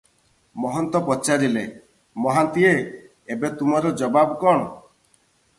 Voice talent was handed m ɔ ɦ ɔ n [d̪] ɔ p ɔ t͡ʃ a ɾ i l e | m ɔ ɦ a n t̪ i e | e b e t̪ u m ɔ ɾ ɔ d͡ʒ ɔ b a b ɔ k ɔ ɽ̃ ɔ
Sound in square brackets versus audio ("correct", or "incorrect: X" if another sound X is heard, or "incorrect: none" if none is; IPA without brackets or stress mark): incorrect: t̪